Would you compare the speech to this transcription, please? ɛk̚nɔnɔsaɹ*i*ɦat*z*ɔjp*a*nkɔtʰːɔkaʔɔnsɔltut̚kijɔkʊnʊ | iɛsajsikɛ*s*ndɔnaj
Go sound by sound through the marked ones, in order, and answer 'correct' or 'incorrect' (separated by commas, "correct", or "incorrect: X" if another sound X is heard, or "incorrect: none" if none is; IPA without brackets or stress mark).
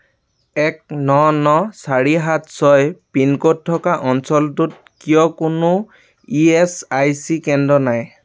correct, incorrect: s, incorrect: i, incorrect: none